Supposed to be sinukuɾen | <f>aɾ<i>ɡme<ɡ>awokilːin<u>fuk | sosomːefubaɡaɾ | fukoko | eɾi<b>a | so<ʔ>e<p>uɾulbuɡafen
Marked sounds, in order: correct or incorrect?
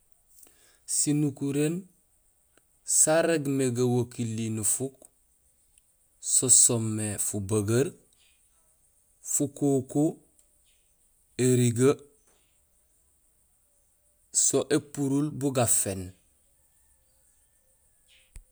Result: incorrect: s, incorrect: e, correct, correct, incorrect: ɡ, correct, correct

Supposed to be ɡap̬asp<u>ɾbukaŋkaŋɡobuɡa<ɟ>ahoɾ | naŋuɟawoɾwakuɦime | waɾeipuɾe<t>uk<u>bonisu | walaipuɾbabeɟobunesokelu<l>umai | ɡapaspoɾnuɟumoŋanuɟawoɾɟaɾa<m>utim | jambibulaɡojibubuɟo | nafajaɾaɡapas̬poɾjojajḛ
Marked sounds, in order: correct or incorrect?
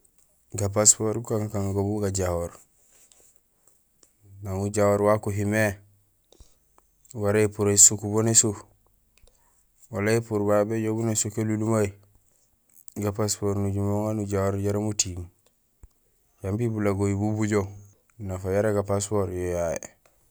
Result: incorrect: o, correct, incorrect: s, correct, correct, correct

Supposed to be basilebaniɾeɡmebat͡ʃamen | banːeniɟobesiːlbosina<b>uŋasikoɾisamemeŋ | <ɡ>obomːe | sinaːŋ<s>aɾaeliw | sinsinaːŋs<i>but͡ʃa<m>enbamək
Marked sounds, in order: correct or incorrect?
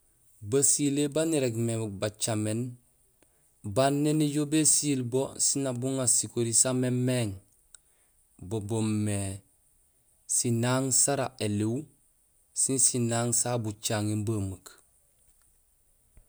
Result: correct, incorrect: b, correct, incorrect: a, incorrect: ŋ

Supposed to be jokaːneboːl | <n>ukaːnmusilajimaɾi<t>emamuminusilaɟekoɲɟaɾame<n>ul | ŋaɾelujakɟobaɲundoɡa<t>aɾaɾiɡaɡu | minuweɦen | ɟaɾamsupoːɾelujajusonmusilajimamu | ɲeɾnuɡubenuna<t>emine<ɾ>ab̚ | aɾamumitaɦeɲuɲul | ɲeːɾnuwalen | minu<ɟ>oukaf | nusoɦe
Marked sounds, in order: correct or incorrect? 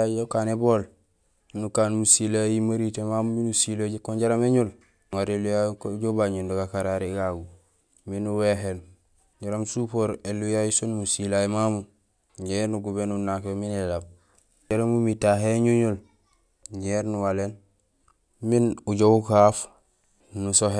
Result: correct, correct, incorrect: ɲ, incorrect: k, incorrect: k, incorrect: l, correct

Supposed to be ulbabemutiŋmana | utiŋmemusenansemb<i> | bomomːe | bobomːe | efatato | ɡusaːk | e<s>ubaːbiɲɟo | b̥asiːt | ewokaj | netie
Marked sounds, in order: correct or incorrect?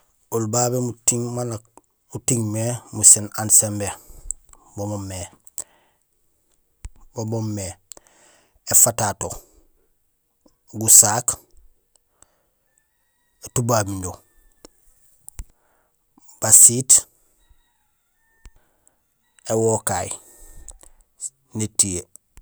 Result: incorrect: e, incorrect: t

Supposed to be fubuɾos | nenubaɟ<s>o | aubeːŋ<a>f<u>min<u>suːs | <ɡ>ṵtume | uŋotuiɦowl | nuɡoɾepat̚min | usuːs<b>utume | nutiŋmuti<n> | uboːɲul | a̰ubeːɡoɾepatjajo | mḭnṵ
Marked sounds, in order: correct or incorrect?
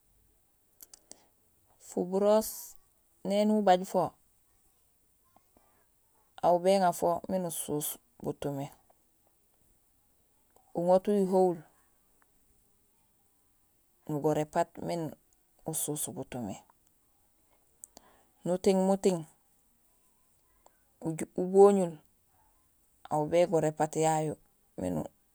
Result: incorrect: f, correct, incorrect: o, correct, incorrect: b, correct, incorrect: ŋ

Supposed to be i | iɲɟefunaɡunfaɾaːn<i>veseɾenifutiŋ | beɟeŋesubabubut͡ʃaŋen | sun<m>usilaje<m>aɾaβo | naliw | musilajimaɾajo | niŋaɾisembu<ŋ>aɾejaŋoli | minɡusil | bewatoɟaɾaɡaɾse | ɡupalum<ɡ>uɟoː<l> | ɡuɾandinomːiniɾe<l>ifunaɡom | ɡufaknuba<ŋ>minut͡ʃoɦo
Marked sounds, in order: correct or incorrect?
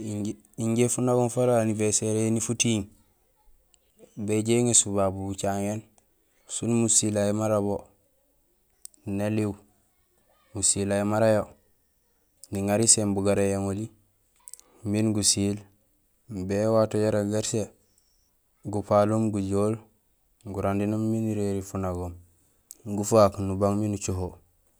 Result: correct, correct, correct, incorrect: ɡ, correct, correct, incorrect: ɾ, correct

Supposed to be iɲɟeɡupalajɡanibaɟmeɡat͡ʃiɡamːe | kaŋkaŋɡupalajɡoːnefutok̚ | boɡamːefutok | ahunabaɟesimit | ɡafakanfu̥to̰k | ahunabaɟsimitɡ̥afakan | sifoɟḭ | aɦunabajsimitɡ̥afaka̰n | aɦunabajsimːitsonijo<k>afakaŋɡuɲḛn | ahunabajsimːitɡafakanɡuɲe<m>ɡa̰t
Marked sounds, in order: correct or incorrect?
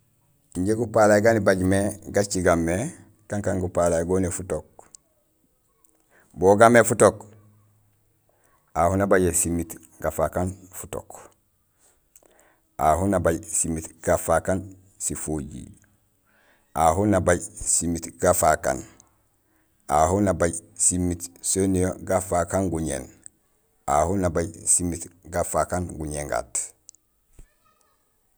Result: incorrect: ɡ, incorrect: ŋ

